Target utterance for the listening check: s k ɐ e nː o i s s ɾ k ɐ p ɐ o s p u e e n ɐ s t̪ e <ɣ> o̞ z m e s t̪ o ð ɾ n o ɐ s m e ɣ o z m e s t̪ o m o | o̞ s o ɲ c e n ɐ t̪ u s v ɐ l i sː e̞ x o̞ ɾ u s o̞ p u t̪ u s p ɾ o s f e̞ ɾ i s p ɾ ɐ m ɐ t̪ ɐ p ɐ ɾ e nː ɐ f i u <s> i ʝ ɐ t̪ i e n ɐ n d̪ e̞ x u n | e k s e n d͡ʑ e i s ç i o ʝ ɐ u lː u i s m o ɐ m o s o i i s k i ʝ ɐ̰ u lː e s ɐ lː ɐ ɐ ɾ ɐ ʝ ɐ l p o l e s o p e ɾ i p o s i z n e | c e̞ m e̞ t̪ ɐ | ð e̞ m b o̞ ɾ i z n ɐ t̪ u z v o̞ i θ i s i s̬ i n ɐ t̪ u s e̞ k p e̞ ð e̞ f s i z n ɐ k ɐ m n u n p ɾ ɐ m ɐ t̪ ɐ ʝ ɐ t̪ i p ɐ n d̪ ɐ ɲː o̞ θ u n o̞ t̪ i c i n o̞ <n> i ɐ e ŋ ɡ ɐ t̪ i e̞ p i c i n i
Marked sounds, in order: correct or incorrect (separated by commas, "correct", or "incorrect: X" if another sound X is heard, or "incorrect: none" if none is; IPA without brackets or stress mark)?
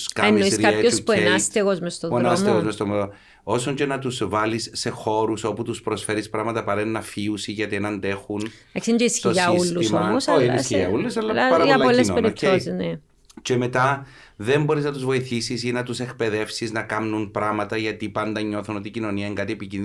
correct, correct, correct